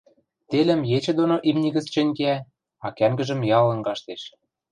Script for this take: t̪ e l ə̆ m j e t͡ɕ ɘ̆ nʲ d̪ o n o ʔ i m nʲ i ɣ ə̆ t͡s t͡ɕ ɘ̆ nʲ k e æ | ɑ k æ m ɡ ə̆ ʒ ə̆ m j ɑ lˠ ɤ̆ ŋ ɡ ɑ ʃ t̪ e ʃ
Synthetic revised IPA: t̪ e l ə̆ m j e t͡ɕ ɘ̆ d̪ o n o ʔ i m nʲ i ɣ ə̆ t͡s t͡ɕ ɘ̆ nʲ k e æ | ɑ k æ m ɡ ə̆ ʒ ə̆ m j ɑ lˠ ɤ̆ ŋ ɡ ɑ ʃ t̪ e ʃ